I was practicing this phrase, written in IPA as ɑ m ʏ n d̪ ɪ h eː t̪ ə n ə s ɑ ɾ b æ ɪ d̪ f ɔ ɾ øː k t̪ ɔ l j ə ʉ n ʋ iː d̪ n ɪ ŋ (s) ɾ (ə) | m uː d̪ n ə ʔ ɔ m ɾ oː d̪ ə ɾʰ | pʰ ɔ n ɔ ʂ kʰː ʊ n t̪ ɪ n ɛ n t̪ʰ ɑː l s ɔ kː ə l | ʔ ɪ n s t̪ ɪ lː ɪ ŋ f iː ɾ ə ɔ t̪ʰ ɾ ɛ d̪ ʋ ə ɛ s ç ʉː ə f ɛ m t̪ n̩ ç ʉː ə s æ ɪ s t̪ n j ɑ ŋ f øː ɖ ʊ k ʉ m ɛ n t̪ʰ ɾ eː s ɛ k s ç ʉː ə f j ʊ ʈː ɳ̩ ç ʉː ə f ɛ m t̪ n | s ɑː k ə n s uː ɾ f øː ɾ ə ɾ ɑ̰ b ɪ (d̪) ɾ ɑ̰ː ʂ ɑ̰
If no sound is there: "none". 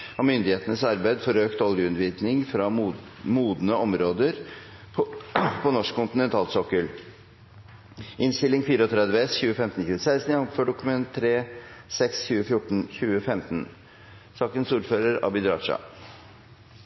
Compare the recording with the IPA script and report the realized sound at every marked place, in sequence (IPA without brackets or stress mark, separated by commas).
f, ɑ, d̪